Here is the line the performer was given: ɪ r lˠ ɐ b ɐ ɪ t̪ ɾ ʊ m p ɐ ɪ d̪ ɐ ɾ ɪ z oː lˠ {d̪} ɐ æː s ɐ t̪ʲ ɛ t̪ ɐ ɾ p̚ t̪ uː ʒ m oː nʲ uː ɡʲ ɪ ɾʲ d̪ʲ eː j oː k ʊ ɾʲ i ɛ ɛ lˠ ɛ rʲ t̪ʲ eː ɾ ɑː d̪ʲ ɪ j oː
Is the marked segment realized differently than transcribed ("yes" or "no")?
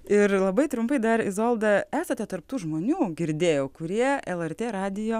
no